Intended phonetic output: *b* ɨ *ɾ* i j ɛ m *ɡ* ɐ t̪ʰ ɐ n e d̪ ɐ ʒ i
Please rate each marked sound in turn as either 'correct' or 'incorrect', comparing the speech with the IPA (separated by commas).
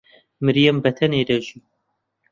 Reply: incorrect, correct, incorrect